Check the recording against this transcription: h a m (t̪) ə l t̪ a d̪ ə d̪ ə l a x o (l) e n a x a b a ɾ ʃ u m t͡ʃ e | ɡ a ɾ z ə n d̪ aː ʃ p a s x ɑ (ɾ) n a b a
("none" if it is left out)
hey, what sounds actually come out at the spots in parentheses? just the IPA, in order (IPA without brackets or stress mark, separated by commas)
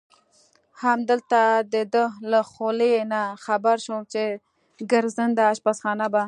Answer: d̪, l, none